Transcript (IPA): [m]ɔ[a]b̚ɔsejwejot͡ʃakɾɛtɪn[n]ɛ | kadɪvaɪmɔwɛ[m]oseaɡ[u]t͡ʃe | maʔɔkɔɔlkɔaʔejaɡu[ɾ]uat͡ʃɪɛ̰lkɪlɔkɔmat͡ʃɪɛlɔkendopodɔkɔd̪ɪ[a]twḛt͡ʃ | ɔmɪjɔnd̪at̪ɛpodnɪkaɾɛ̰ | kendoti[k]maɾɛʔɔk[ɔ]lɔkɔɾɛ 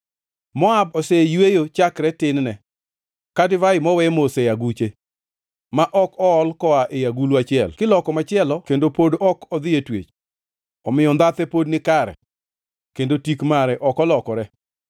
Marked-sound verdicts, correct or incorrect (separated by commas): correct, correct, correct, correct, correct, incorrect, incorrect, correct, correct